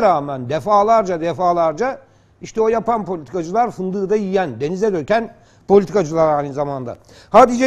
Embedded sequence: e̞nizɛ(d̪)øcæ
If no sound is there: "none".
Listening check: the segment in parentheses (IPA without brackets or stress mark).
d̪